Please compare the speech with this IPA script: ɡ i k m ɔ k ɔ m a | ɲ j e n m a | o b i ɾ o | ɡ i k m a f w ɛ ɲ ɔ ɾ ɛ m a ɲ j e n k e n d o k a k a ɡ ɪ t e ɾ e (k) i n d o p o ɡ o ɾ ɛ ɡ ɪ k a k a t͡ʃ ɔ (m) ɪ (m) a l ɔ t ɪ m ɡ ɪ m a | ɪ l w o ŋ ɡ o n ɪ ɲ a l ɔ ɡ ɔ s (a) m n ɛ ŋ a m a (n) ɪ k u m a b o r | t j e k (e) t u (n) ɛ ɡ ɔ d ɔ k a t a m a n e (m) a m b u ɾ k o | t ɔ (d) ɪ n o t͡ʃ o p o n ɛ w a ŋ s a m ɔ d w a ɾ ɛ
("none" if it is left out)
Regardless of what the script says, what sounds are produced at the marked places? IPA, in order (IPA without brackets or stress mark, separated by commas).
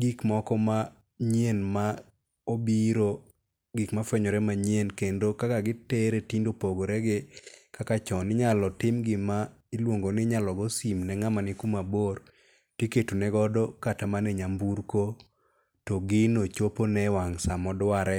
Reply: t, n, ɲ, i, n, e, n, ɲ, ɡ